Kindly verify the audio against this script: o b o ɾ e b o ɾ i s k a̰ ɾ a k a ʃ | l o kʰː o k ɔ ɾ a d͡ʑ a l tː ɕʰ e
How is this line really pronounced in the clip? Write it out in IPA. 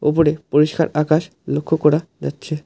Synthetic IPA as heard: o p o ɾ e p o ɾ i ʃ k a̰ ɾ a k a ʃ | l o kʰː o k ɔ ɾ a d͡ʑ a tː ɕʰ e